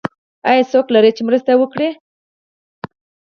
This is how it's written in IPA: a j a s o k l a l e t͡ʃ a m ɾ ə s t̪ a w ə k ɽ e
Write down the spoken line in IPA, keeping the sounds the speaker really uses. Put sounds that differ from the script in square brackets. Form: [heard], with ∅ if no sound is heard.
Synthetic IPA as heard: a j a s o k l a [ɾ] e t͡ʃ [e] m ɾ ə s t̪ a w ə k ɽ e